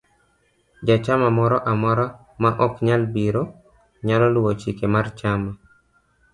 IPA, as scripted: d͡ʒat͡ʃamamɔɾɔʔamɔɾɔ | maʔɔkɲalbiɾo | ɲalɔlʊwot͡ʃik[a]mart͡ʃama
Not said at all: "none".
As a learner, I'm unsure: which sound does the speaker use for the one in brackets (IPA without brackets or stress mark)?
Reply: e